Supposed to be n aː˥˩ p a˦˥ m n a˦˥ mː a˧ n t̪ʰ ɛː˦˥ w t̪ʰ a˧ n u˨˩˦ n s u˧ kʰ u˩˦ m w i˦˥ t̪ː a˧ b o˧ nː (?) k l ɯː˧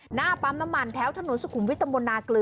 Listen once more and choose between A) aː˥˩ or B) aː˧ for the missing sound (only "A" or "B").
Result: B